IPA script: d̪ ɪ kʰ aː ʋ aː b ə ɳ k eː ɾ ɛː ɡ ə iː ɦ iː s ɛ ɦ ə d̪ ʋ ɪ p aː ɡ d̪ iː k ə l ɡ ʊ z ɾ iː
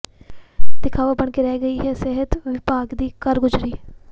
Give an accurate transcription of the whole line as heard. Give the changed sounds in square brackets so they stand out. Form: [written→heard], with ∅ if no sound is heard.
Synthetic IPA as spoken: d̪ ɪ kʰ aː ʋ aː b ə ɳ k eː ɾ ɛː ɡ ə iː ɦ [iː→ɛː] s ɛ ɦ ə [d̪→t̪] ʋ ɪ p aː ɡ d̪ iː k ə [l→ɾ] ɡ ʊ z ɾ iː